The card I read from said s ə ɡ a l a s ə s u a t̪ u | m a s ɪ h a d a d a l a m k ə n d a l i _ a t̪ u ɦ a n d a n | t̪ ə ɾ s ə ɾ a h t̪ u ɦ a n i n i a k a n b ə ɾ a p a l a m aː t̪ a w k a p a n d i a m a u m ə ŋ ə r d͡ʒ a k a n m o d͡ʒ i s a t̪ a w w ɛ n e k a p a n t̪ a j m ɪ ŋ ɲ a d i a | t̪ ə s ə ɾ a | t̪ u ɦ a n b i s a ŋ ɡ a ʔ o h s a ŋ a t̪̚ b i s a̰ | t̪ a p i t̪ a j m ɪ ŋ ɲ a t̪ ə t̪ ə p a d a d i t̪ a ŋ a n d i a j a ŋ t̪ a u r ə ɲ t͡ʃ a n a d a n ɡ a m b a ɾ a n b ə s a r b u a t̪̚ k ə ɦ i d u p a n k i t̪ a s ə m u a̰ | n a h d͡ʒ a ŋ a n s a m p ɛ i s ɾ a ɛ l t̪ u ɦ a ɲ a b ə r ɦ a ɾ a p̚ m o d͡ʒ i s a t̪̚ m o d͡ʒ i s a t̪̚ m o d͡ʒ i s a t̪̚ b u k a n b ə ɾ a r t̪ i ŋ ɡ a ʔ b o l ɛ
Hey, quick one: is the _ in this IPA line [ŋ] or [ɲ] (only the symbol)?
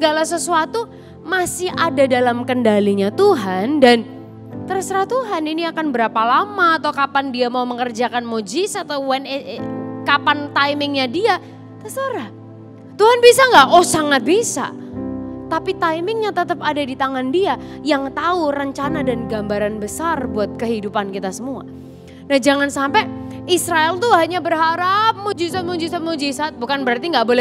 ɲ